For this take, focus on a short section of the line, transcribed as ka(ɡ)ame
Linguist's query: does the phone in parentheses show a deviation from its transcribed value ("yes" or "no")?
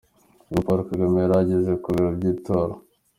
no